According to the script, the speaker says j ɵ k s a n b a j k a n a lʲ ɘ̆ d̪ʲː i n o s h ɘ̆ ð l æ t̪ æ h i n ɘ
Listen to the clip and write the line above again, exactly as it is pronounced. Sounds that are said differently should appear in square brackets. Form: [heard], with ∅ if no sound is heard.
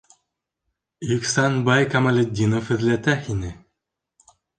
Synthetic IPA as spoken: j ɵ k s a n b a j k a [m] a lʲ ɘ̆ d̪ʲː i n o [f] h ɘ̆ ð l æ t̪ æ h i n ɘ

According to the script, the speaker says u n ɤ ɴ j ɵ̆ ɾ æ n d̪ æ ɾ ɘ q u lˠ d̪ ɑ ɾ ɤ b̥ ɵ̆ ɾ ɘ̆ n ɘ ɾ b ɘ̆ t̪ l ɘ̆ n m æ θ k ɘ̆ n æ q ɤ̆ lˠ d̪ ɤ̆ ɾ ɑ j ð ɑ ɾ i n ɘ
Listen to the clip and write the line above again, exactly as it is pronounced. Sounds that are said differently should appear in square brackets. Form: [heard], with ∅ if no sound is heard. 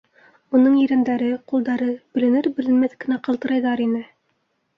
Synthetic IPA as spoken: u n ɤ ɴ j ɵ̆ ɾ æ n d̪ æ ɾ ɘ q u lˠ d̪ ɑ ɾ ɤ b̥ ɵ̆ [l] ɘ̆ n ɘ ɾ b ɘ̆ [∅] l ɘ̆ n m æ θ k ɘ̆ n æ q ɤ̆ lˠ [t̪] ɤ̆ ɾ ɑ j ð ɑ ɾ i n ɘ

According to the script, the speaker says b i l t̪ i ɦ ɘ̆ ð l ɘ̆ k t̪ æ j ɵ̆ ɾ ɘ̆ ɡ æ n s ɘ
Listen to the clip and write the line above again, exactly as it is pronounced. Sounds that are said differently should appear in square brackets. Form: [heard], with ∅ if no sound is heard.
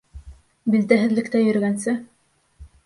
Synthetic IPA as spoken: b i l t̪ [æ] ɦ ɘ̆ ð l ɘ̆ k t̪ æ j ɵ̆ ɾ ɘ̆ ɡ æ n s ɘ

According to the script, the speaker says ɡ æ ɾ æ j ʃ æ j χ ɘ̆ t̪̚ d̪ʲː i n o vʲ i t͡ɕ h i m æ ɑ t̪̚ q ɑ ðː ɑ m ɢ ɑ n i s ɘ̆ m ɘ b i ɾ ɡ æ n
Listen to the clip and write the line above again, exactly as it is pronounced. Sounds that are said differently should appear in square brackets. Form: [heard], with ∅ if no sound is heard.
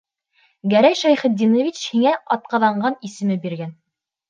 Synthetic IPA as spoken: ɡ æ ɾ æ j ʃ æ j χ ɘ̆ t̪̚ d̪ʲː i n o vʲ i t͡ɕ h i [ŋ] æ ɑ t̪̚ q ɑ [ð] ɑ [ɴ] ɢ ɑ n i s ɘ̆ m ɘ b i ɾ ɡ æ n

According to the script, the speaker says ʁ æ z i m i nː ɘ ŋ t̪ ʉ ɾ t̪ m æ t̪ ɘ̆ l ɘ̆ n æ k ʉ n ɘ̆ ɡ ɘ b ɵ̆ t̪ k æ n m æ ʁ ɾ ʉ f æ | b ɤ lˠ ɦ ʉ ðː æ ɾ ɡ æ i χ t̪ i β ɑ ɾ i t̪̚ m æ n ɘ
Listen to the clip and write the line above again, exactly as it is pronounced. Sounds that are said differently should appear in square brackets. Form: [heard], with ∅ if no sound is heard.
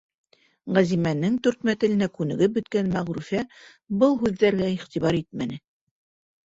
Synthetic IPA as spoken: ʁ æ z i m [æ] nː ɘ ŋ t̪ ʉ ɾ t̪ m æ t̪ ɘ̆ l ɘ̆ n æ k ʉ n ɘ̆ ɡ ɘ b ɵ̆ t̪ k æ n m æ ʁ ɾ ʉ f æ | b ɤ lˠ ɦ ʉ ðː æ ɾ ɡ æ i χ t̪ i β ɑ ɾ i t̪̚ m æ n ɘ

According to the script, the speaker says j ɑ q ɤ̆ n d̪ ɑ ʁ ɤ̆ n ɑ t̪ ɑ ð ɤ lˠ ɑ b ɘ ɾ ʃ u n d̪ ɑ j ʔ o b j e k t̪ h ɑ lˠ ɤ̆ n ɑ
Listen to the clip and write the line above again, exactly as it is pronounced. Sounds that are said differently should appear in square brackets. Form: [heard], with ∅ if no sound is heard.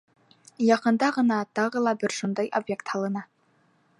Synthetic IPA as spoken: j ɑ q ɤ̆ n d̪ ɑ ʁ ɤ̆ n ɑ t̪ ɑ [ʁ] ɤ lˠ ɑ b ɘ ɾ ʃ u n d̪ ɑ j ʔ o b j e k t̪ h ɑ lˠ ɤ̆ n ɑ

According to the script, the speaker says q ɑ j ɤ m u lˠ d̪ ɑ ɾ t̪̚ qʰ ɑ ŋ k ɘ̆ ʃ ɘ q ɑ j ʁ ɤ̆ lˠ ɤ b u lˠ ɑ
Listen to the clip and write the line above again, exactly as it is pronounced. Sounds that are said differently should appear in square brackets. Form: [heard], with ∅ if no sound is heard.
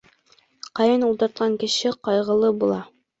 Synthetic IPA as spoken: q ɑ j ɤ [n] u lˠ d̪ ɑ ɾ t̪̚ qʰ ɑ ŋ k ɘ̆ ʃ ɘ q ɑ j ʁ ɤ̆ lˠ ɤ b u lˠ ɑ

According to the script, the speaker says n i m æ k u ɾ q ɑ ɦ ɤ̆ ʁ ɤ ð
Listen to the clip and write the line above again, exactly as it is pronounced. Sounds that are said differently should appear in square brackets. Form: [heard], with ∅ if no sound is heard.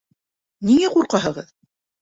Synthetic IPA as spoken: n i [ŋ] æ [q] u ɾ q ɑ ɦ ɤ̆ ʁ ɤ ð

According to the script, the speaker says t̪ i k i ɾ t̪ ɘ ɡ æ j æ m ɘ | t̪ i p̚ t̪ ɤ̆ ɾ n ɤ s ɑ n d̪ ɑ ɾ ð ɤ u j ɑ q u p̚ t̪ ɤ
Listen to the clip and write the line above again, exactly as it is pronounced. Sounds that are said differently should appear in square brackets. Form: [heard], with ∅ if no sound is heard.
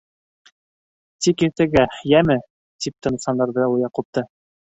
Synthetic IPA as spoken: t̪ i k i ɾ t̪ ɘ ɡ æ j æ m ɘ | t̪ i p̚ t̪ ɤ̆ [∅] n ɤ s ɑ n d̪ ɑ ɾ ð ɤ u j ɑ q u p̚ t̪ ɤ

